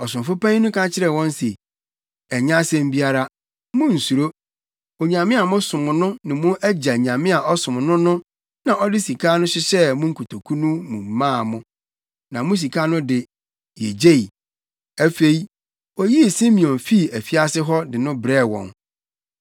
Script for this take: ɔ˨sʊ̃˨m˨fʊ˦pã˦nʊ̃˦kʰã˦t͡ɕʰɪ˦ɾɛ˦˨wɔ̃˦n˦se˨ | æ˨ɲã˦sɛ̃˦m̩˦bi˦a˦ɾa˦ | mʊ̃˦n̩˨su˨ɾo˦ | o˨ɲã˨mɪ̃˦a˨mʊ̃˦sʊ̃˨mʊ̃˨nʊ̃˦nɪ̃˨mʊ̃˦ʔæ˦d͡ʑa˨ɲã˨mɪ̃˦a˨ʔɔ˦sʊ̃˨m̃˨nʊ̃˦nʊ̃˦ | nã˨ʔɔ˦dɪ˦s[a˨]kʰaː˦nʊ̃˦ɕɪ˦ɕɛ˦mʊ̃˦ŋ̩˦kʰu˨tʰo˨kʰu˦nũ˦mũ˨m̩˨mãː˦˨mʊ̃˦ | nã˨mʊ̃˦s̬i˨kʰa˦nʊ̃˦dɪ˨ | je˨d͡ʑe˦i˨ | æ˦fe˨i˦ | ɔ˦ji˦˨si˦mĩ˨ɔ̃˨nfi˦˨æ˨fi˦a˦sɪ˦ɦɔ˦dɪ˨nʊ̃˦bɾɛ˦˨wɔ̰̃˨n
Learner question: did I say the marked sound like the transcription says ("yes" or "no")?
no